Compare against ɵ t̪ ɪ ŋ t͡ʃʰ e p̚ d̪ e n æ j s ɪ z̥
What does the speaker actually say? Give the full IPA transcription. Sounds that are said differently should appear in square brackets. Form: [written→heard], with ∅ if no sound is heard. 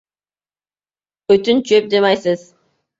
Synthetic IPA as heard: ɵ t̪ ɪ [ŋ→n] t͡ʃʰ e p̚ d̪ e [n→m] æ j s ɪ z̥